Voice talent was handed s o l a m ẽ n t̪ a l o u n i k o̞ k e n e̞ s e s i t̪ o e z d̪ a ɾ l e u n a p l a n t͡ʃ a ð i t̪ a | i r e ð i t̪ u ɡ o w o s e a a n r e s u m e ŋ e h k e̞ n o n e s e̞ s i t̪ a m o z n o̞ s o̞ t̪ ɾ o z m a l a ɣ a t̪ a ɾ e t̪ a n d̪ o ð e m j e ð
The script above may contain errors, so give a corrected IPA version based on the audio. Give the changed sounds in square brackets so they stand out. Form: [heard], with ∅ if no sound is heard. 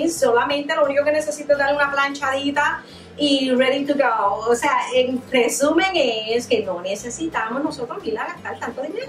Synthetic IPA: s o l a m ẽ n t̪ [e] l o u n i k o̞ k e n e̞ s e s i t̪ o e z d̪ a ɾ l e u n a p l a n t͡ʃ a ð i t̪ a | i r e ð i t̪ u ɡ o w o s e a [e] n r e s u m e ŋ e [s] k e̞ n o n e s e̞ s i t̪ a m o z n o̞ s o̞ t̪ ɾ o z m [i] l a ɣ a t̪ a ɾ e t̪ a n [t̪] o ð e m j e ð